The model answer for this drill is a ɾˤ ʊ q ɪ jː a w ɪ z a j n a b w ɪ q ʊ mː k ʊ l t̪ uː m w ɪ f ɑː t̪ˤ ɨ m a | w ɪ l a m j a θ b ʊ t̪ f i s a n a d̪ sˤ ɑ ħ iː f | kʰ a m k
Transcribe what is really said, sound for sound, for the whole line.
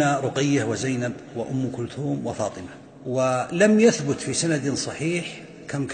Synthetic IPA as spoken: a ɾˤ ʊ q ɪ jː a w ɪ z a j n a b w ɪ ʔ ʊ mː k ʊ l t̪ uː m w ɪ f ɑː t̪ˤ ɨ m a | w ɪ l a m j a θ b ʊ t̪ f i s a n a d̪ sˤ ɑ ħ iː ħ | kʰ a m k